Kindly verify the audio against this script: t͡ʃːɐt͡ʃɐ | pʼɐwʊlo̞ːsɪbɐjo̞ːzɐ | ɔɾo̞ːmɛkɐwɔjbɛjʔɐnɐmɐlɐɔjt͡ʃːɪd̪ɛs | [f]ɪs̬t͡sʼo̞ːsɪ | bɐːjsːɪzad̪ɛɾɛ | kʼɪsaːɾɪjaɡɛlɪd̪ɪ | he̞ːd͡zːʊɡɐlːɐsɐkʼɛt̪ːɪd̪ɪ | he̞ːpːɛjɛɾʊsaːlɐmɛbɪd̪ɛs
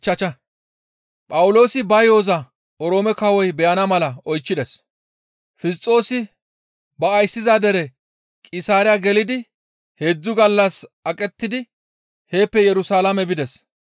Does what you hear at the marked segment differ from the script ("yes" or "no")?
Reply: no